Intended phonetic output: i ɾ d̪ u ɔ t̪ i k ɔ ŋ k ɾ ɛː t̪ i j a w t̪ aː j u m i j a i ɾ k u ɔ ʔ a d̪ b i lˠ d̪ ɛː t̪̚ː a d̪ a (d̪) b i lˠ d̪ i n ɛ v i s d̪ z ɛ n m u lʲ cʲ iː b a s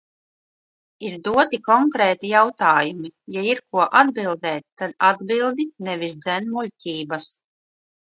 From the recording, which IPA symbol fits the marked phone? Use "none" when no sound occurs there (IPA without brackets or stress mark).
d̪